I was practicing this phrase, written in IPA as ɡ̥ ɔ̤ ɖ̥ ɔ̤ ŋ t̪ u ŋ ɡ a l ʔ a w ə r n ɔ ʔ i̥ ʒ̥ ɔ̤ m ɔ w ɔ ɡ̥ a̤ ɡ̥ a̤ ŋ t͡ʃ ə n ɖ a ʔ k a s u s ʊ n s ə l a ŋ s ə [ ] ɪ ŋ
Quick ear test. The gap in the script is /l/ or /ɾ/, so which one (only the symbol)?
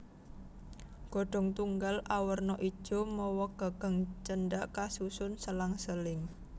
l